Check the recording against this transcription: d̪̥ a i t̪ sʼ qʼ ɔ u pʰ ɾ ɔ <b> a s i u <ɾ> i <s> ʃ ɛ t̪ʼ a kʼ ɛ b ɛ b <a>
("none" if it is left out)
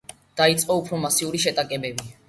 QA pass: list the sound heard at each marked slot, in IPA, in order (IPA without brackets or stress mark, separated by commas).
m, ɾ, none, i